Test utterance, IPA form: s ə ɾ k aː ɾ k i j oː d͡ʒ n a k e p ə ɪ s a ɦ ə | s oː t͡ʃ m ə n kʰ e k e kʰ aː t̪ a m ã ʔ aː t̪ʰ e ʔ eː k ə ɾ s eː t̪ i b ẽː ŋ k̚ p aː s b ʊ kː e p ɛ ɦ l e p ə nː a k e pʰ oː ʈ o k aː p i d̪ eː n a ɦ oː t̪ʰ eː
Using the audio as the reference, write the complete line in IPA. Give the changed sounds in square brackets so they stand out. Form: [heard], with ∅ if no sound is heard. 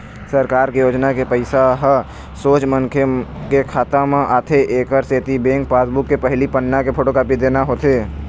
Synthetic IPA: s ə ɾ k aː ɾ k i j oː d͡ʒ n a k e p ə ɪ s a ɦ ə | s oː t͡ʃ m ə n kʰ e k e kʰ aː t̪ a m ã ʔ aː t̪ʰ e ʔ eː k ə ɾ s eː t̪ i b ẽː ŋ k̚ p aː s b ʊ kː e p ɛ ɦ l [i] p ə nː a k e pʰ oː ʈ o k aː p i d̪ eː n a ɦ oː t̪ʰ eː